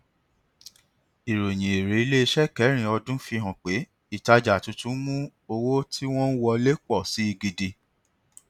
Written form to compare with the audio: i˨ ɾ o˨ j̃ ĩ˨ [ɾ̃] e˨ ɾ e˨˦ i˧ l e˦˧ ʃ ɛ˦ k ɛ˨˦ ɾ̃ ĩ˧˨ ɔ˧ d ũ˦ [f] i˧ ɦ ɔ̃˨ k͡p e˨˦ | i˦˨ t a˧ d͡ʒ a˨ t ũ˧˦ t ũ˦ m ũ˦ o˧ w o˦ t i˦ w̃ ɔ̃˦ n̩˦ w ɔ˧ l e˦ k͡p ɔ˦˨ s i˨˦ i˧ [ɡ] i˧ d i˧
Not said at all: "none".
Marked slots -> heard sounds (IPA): none, f, ɡ

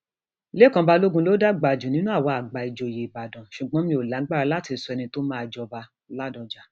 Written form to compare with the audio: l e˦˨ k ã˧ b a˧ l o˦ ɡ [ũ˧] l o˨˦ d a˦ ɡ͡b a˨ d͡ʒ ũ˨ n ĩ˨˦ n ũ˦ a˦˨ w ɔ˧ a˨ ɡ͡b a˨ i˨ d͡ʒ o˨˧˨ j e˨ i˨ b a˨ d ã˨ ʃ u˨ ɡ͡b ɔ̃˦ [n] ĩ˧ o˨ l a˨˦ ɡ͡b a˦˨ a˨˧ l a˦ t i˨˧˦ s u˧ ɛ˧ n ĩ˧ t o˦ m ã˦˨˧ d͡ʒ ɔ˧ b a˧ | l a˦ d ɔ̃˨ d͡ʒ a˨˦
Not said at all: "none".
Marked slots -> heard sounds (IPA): ũ˧, m

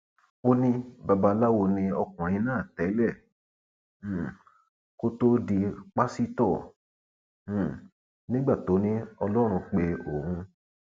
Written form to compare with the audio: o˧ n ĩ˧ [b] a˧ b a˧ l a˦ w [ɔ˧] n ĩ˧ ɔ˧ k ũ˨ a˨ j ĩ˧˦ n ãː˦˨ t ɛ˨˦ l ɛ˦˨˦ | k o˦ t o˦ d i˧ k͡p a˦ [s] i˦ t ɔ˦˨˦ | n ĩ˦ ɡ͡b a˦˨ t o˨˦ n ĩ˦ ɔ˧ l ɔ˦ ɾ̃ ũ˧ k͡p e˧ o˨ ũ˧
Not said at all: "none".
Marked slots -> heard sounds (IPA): b, o˧, s

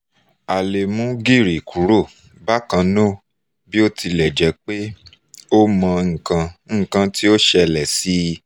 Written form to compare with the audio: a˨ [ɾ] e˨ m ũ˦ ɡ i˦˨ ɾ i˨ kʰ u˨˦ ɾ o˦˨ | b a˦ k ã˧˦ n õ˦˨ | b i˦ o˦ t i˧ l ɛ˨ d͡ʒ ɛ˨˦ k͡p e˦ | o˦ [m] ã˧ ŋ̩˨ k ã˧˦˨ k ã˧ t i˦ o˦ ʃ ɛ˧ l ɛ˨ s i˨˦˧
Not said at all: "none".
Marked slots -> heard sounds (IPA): l, m

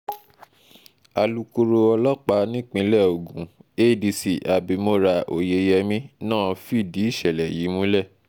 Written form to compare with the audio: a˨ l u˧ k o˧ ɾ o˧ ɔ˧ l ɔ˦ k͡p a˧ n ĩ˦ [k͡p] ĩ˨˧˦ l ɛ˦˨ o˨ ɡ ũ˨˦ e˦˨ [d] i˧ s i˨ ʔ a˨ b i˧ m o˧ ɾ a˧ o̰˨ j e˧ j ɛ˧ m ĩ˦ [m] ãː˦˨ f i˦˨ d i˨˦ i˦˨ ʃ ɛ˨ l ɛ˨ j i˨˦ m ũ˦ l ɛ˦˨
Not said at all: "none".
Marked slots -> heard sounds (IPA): k͡p, d, n

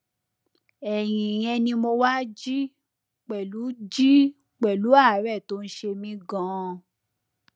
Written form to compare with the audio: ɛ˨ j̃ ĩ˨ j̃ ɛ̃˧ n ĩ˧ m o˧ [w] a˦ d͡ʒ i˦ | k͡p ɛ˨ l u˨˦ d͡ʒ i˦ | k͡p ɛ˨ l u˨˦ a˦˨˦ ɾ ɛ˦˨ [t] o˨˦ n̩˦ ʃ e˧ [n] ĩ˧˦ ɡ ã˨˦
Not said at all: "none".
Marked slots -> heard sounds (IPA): w, t, m

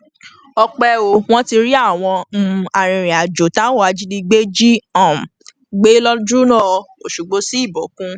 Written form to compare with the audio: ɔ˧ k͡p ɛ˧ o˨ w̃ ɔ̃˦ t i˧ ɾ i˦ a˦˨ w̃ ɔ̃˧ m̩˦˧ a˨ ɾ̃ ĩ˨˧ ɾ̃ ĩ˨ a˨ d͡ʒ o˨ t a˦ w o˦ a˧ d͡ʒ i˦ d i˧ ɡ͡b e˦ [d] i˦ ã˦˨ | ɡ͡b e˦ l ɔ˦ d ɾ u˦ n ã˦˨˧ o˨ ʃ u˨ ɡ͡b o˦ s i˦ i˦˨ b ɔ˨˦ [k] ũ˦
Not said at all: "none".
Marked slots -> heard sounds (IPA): d͡ʒ, k

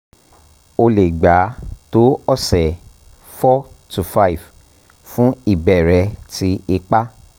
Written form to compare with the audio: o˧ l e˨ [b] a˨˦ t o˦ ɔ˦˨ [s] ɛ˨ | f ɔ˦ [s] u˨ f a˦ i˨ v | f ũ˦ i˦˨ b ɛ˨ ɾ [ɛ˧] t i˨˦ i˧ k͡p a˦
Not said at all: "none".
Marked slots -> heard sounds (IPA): ɡ͡b, s, t, ɛ˧

